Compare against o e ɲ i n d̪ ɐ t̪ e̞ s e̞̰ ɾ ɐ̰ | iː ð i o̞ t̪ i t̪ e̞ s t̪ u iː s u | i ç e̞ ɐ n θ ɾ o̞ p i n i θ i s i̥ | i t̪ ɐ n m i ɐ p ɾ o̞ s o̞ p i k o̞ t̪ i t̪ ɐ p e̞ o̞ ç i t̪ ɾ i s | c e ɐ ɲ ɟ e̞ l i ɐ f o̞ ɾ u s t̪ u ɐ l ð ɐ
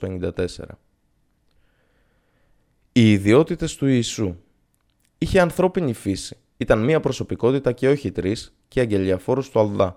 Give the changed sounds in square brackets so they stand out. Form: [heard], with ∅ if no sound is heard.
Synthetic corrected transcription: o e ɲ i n d̪ ɐ t̪ e̞ s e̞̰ ɾ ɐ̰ | iː ð i o̞ t̪ i t̪ e̞ s t̪ u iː s u | i ç e̞ ɐ n θ ɾ o̞ p i n i [f] i s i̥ | i t̪ ɐ n m i ɐ p ɾ o̞ s o̞ p i k o̞ t̪ i t̪ ɐ [c] e̞ o̞ ç i t̪ ɾ i s | c e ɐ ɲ ɟ e̞ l i ɐ f o̞ ɾ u s t̪ u ɐ l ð ɐ